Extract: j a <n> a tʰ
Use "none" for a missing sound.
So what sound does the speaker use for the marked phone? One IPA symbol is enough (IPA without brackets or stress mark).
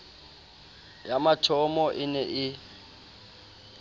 m